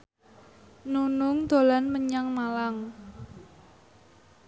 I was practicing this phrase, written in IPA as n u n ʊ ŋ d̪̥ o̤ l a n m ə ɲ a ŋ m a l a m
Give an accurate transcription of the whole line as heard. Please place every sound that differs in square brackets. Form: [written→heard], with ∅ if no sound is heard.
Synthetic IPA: n u n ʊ ŋ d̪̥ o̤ l a n m ə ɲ a ŋ m a l a [m→ŋ]

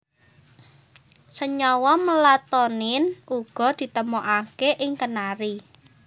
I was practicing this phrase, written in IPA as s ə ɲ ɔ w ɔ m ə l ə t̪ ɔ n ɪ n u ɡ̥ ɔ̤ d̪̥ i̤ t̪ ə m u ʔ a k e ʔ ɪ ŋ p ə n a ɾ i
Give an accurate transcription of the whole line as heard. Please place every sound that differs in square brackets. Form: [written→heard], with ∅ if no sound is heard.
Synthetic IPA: s ə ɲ ɔ w ɔ m ə l [ə→a] t̪ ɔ n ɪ n u ɡ̥ ɔ̤ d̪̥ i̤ t̪ ə m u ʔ a k e ʔ ɪ ŋ [p→k] ə n a ɾ i

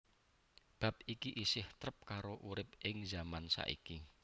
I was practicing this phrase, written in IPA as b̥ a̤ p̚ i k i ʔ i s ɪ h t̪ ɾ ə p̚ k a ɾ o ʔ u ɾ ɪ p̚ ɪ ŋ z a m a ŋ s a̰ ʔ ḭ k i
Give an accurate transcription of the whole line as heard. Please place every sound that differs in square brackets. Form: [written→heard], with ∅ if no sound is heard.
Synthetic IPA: b̥ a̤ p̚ i k i ʔ i s ɪ h t̪ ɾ ə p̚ k a ɾ o ʔ u ɾ ɪ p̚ ɪ ŋ z a m a [ŋ→n] s a̰ ʔ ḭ k i

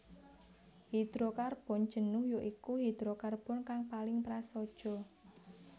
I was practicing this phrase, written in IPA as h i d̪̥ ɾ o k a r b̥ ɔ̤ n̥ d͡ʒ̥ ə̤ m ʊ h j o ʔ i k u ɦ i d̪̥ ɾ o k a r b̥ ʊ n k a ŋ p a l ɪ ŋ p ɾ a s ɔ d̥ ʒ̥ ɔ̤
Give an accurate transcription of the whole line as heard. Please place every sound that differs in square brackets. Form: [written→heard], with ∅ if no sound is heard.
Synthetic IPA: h i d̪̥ ɾ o k a r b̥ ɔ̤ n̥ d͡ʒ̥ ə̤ [m→n] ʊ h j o ʔ i k u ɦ i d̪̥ ɾ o k a r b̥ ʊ n k a ŋ p a l ɪ ŋ p ɾ a s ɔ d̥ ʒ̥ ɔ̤

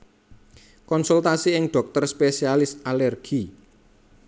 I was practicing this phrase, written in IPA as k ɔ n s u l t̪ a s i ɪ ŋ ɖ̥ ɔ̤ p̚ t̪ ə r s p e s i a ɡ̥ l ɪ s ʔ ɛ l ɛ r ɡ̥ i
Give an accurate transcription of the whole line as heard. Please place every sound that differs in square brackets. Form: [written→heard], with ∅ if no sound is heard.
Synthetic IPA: k ɔ n s u l t̪ a s i ɪ ŋ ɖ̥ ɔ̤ [p̚→k̚] t̪ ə r s p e s i a [ɡ̥→∅] l ɪ s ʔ [ɛ→a] l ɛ r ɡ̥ i

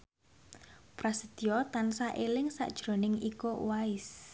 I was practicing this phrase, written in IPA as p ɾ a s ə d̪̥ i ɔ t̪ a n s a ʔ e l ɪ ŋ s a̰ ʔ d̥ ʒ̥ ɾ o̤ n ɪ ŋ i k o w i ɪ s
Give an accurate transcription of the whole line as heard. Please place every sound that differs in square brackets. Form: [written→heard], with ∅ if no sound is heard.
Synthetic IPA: p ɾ a s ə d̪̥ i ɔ t̪ a n s a ʔ e l ɪ ŋ s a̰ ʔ d̥ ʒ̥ ɾ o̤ n ɪ ŋ i k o w [i→a] ɪ s

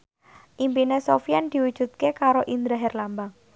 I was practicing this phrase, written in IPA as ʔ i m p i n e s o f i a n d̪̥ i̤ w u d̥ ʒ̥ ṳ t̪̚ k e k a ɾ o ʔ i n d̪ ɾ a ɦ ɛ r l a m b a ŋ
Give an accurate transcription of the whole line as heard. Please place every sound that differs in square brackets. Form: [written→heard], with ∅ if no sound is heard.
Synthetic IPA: ʔ i m p i n e s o f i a n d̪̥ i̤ w u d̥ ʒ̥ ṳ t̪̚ k e k a ɾ o ʔ i n d̪ ɾ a ɦ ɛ r l a m b a ŋ

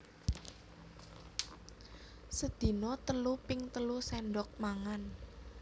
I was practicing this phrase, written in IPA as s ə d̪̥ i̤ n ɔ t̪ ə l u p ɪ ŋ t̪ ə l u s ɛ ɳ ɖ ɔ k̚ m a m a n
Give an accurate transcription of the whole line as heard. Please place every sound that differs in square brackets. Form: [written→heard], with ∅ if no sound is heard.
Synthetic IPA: s ə d̪̥ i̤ n ɔ t̪ ə l u p ɪ ŋ t̪ ə l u s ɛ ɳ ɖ ɔ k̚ m a [m→ŋ] a n

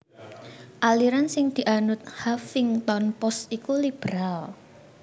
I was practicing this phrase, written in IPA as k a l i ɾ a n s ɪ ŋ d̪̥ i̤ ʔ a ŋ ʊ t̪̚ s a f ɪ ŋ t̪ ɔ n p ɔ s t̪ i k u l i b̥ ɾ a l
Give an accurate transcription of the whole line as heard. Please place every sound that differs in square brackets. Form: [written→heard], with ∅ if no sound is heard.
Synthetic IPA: [k→ʔ] a l i ɾ a n s ɪ ŋ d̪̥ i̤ ʔ a [ŋ→n] ʊ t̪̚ [s→h] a f ɪ ŋ t̪ ɔ n p ɔ s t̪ i k u l i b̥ ɾ a l

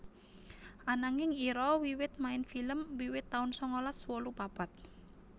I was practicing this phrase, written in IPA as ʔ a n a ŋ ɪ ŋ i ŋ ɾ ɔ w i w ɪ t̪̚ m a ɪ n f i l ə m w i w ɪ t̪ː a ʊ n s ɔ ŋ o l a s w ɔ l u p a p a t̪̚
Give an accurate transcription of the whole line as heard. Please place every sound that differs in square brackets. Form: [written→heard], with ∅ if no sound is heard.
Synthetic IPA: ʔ a n a ŋ ɪ ŋ i [ŋ→∅] ɾ ɔ w i w ɪ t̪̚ m a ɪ n f i l ə m w i w ɪ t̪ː a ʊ n s ɔ ŋ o l a s w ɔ l u p a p a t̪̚

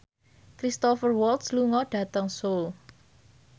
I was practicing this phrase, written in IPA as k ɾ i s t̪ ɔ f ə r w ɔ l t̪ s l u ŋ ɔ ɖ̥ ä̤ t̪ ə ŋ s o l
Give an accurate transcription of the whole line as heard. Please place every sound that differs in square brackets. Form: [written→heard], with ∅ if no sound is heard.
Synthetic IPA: k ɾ i s t̪ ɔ f ə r w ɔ l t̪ s l u ŋ ɔ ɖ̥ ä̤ t̪ ə ŋ s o l

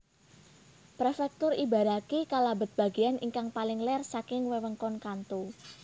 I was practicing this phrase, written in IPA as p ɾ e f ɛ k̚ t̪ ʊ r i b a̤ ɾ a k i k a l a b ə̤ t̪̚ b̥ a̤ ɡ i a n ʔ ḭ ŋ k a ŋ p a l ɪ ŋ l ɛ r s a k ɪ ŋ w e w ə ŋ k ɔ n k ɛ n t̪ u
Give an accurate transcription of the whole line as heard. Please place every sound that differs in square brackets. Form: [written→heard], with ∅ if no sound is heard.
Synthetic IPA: p ɾ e f ɛ k̚ t̪ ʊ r i b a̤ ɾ a k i k a l a b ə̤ t̪̚ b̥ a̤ ɡ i a n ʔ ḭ ŋ k a ŋ p a l ɪ ŋ l ɛ r s a k ɪ ŋ w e w ə ŋ k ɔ n k [ɛ→a] n t̪ u

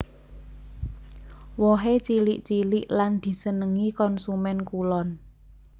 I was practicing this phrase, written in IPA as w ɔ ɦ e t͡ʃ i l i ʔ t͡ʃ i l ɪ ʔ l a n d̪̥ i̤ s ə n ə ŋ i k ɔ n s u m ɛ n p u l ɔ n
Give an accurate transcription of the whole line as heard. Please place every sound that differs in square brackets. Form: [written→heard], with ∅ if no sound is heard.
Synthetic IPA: w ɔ ɦ e t͡ʃ i l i ʔ t͡ʃ i l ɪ ʔ l a n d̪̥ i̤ s ə n ə ŋ i k ɔ n s u m ɛ n [p→k] u l ɔ n

